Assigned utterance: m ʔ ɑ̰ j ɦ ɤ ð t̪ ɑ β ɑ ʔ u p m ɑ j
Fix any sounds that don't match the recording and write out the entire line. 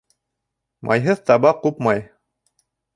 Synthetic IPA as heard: m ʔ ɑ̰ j ɦ ɤ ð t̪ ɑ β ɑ q u p m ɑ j